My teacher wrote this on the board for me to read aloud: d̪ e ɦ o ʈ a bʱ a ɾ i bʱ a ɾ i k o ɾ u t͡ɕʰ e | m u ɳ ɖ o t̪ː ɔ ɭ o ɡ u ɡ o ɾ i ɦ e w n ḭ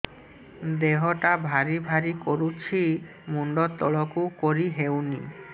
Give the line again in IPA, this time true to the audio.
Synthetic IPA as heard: d̪ e ɦ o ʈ a bʱ a ɾ i bʱ a ɾ i k o ɾ u t͡ɕʰ i | m u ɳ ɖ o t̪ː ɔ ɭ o k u k o ɾ i ɦ e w n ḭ

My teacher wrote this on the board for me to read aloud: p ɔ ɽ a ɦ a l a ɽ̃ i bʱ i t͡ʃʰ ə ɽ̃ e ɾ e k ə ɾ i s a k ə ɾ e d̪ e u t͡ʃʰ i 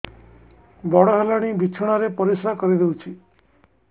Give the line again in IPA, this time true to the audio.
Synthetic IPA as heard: b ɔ ɽ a ɦ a l a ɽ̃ i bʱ i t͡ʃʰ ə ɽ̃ a ɾ e p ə ɾ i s a k ə ɾ i d̪ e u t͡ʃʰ i

